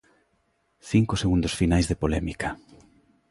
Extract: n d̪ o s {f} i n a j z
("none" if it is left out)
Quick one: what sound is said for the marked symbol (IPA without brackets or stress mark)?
f